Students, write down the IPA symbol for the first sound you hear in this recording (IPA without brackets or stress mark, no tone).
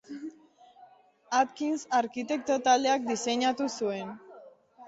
a